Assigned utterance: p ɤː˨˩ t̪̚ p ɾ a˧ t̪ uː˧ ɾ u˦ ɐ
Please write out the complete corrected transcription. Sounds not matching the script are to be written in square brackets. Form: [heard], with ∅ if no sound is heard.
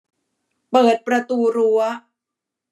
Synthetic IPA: p ɤː˨˩ t̪̚ p ɾ a˧ t̪ uː˧ ɾ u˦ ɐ